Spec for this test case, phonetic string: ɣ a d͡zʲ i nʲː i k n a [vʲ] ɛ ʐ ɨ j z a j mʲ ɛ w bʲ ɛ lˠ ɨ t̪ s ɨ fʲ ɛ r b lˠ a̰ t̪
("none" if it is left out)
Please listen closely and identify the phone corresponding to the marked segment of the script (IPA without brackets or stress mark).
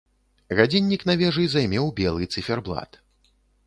vʲ